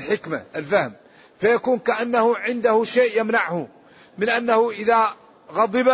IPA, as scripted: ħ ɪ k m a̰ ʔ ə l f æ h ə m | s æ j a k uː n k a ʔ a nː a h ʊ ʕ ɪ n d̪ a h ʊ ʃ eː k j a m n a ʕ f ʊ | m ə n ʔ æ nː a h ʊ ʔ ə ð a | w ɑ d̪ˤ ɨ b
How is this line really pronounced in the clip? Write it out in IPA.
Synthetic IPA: ħ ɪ k m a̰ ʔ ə l f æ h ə m | f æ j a k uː n k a ʔ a nː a h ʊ ʕ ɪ n d̪ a h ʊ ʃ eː ʔ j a m n a ʕ h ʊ | m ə n ʔ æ nː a h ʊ ʔ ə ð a | ɣ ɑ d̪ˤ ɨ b